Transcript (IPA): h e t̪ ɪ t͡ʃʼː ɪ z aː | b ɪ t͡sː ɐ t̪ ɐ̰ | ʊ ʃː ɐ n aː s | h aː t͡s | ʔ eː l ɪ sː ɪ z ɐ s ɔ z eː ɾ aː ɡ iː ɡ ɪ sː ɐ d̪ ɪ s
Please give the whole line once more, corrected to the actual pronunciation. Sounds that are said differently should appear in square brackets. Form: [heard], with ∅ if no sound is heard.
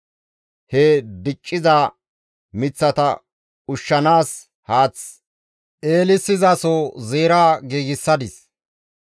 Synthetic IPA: h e [d̪] ɪ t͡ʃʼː ɪ z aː | [m] ɪ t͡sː ɐ t̪ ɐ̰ | ʊ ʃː ɐ n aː s | h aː t͡s | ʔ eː l ɪ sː ɪ z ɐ s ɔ z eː ɾ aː ɡ iː ɡ ɪ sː ɐ d̪ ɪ s